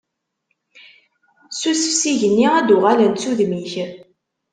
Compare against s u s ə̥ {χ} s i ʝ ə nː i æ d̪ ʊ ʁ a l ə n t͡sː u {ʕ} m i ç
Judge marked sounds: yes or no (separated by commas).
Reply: no, no